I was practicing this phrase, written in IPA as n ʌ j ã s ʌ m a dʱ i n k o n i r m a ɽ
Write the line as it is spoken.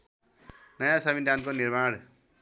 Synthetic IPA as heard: n ʌ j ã s ʌ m i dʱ a n k o n i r m a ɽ